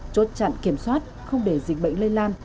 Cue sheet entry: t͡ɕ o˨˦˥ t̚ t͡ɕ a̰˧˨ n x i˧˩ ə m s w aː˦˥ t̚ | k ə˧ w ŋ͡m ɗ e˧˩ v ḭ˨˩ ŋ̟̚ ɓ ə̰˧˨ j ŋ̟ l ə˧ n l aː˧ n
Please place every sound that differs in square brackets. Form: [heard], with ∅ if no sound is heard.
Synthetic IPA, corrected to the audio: t͡ɕ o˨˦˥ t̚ t͡ɕ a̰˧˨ n [k] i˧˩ ə m s w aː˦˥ t̚ | [x] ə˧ w ŋ͡m ɗ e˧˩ [z] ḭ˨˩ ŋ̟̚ ɓ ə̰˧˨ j ŋ̟ l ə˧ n l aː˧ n